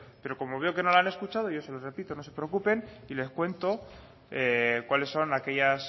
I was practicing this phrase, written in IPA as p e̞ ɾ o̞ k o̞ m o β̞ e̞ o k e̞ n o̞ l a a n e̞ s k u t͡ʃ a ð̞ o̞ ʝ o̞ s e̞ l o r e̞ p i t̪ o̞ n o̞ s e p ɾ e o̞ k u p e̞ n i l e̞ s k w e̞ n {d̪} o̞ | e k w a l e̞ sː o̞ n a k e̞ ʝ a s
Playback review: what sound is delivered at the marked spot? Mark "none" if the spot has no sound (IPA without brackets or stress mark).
t̪